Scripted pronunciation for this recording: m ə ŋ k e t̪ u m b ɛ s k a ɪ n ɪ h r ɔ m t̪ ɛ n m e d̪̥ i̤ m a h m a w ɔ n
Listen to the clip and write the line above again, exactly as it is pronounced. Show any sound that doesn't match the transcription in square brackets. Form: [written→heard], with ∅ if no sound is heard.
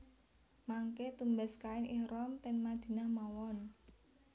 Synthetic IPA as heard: m [ə→a] ŋ k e t̪ u m b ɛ s k a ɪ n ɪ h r ɔ m t̪ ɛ n m [e→a] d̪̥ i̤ [m→n] a h m a w ɔ n